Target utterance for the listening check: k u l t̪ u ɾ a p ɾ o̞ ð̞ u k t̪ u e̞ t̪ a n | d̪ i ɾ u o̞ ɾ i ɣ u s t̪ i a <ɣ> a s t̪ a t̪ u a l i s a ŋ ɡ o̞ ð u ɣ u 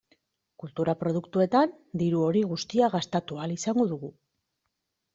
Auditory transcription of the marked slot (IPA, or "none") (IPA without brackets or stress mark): ɣ